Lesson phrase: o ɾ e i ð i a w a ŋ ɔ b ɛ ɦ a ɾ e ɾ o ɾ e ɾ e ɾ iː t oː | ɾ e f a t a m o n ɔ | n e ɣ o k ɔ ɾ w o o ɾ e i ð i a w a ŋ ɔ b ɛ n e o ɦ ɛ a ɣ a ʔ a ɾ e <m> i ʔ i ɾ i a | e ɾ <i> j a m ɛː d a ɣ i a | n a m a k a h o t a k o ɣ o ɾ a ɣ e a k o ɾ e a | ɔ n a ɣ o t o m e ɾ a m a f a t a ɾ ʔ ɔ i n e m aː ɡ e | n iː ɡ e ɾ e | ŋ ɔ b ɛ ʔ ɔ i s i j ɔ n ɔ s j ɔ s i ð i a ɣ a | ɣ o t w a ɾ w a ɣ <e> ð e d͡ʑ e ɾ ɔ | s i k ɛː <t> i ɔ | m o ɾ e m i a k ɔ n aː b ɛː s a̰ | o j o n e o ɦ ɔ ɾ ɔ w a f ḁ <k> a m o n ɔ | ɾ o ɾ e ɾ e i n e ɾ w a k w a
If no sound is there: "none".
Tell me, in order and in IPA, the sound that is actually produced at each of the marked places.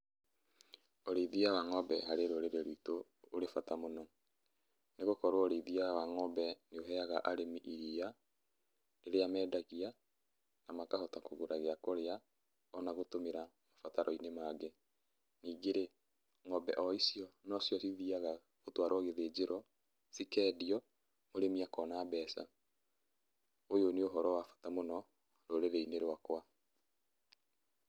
m, e, e, d, t

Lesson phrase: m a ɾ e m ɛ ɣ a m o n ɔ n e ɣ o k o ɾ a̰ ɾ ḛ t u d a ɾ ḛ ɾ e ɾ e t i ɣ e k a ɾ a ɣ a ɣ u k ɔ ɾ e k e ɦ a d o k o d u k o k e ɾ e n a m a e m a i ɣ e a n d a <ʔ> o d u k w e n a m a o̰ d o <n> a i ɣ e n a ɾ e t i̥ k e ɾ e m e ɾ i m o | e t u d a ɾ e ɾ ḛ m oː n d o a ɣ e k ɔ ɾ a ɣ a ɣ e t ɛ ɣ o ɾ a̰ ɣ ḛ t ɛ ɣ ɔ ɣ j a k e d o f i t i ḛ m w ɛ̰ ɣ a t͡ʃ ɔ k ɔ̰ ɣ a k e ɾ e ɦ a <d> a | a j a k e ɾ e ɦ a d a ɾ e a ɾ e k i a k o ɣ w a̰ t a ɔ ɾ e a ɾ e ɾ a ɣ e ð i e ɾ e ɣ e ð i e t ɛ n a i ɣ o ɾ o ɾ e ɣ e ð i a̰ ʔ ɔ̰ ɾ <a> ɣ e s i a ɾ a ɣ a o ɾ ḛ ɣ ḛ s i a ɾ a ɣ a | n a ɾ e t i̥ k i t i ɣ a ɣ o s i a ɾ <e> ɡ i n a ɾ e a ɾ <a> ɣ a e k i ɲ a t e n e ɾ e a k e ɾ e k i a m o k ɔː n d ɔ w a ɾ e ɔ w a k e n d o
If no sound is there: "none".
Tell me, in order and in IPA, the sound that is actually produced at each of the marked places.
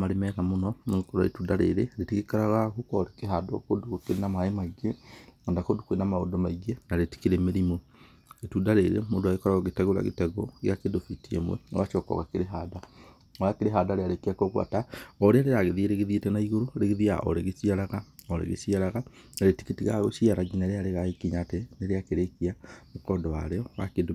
k, m, d, e, a, e

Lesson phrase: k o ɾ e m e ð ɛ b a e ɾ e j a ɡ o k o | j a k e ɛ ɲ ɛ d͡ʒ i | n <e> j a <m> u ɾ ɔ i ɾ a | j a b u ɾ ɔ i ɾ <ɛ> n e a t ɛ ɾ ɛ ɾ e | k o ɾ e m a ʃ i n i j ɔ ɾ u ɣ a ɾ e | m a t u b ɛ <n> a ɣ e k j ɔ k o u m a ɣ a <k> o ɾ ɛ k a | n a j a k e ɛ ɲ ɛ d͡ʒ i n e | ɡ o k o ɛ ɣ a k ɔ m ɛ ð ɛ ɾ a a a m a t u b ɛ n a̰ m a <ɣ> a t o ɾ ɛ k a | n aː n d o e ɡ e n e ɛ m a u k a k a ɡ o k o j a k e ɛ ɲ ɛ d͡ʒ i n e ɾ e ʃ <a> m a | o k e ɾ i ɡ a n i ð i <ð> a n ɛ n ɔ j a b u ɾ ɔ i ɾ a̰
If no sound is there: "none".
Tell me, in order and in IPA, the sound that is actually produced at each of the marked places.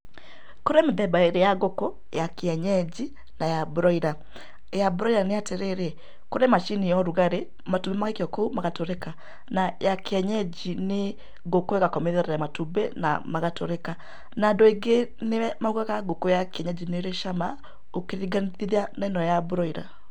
a, b, a, m, t, ɣ, a, ð

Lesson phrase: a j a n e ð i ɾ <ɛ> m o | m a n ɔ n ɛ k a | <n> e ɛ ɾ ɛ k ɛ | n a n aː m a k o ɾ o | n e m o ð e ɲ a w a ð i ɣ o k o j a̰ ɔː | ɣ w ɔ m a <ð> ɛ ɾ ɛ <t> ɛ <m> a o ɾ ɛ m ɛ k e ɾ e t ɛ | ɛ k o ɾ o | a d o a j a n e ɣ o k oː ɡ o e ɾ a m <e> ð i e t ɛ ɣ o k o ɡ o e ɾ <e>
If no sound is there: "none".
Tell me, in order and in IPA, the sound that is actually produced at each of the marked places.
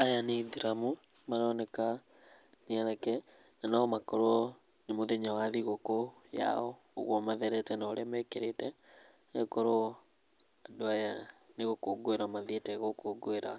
a, n, ð, t, n, a, a

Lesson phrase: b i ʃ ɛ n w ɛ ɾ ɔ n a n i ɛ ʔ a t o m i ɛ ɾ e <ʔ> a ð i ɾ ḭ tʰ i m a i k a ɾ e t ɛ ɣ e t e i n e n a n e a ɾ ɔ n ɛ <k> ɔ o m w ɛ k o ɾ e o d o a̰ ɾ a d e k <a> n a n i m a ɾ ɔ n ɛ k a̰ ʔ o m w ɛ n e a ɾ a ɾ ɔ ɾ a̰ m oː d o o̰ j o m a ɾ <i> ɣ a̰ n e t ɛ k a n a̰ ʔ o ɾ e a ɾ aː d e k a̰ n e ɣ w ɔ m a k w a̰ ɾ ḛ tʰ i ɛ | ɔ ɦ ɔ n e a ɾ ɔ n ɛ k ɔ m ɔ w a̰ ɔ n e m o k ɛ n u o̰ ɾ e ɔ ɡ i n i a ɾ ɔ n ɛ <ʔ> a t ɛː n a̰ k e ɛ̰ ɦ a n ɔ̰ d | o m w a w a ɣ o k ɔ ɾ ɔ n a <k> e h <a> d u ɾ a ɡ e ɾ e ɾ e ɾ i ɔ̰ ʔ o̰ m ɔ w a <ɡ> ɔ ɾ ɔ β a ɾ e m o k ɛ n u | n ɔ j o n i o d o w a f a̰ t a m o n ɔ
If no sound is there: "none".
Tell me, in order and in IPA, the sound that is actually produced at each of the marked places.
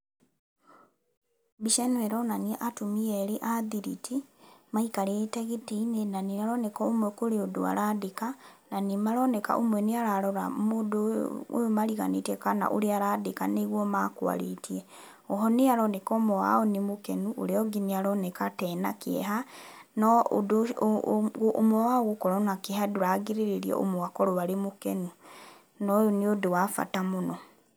ʔ, k, a, i, k, k, a, k

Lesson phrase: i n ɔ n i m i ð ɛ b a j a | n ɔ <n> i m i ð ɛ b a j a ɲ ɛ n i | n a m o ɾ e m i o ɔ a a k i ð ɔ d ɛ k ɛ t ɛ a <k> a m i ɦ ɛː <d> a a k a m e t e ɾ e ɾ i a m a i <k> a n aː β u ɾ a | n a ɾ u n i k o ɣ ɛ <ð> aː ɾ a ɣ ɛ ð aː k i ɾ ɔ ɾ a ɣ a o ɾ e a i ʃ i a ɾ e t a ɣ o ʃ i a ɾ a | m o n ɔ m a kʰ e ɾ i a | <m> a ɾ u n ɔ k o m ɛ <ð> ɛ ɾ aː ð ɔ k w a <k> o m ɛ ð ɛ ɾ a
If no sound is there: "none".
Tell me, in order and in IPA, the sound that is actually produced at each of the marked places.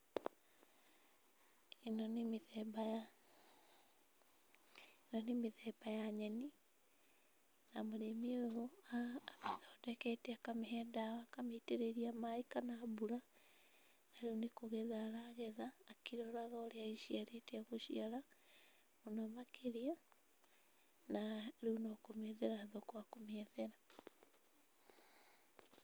n, k, d, k, ð, n, ð, k

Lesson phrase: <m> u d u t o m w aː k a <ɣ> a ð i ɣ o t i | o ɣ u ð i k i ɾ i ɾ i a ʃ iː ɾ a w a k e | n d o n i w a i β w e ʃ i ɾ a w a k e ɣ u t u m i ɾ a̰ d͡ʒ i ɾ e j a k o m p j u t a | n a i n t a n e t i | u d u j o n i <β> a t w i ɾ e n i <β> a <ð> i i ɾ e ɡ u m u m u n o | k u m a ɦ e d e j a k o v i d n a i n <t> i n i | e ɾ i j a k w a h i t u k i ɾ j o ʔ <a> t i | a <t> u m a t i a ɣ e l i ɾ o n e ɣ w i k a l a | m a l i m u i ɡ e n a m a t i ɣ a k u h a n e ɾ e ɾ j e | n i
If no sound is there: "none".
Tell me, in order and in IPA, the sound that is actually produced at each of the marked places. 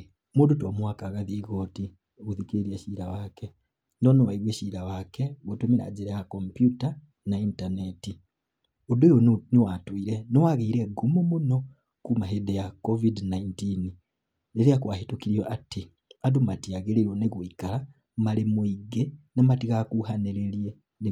m, ɣ, w, w, ɣ, t, a, d

